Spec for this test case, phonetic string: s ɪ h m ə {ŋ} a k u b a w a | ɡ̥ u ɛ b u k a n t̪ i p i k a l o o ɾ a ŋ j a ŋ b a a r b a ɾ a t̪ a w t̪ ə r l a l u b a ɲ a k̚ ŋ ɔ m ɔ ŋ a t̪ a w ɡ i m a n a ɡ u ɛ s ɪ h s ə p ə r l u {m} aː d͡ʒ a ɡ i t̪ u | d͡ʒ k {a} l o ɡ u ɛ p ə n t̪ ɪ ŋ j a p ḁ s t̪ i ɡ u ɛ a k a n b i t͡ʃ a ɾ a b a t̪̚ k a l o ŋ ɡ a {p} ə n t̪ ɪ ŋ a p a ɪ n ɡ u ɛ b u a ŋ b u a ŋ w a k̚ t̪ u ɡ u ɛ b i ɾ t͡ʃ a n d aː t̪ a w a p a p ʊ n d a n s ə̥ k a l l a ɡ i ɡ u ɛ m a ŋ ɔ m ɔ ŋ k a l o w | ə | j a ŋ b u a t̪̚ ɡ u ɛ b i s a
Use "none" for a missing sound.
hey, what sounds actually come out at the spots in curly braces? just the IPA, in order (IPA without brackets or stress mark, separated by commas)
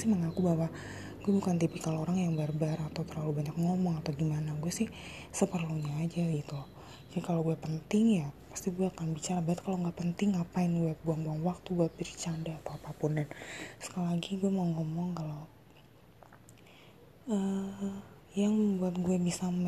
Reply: ŋ, ɲ, a, p